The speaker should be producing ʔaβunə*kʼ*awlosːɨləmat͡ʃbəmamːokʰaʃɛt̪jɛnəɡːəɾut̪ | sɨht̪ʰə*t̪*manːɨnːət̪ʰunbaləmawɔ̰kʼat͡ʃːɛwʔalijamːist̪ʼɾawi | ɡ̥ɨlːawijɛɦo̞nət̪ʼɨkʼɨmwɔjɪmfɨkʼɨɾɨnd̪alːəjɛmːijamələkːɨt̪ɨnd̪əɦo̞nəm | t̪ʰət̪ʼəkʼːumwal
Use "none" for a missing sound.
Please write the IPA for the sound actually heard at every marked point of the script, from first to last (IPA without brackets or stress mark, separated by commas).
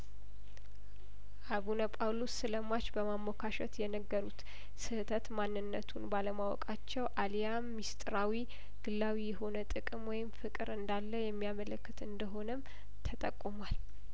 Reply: pʼ, t̪